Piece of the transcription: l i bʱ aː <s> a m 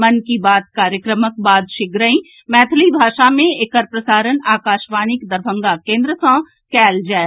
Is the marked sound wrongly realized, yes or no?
yes